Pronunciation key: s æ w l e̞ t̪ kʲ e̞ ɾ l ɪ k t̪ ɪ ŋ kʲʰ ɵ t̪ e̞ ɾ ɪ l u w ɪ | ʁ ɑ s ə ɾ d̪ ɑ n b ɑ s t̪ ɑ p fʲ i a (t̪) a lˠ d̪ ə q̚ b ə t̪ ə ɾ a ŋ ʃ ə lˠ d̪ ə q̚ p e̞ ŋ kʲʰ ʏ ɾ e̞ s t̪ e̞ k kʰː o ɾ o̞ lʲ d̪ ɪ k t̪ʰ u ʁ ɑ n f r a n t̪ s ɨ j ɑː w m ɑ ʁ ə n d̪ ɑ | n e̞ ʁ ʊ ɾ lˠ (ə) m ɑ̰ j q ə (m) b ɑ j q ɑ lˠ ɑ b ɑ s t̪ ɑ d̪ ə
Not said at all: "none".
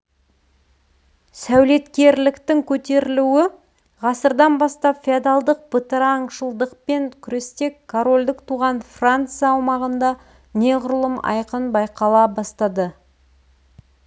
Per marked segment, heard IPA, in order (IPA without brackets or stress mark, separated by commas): d̪, ə, n